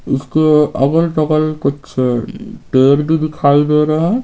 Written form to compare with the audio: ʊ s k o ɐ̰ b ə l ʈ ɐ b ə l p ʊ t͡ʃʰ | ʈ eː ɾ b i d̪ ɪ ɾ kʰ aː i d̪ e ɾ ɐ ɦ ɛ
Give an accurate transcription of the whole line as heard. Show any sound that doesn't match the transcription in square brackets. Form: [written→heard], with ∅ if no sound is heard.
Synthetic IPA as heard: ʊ s k o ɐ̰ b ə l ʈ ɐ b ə l [p→k] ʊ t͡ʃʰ | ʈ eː ɾ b i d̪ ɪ [ɾ→∅] kʰ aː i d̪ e ɾ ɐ ɦ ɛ